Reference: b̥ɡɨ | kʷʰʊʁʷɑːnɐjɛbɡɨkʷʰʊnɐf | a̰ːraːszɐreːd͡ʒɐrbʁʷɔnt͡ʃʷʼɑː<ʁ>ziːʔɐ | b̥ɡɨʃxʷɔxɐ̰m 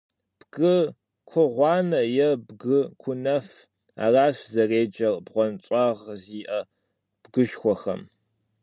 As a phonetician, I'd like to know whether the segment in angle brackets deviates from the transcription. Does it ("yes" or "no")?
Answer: no